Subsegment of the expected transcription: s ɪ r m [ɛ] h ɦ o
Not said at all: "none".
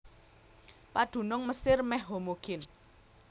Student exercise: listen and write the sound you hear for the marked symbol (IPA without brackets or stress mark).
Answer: ɛ